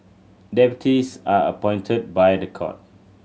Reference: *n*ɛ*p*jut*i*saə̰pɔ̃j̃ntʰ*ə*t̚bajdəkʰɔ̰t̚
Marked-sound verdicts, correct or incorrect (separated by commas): incorrect, correct, correct, correct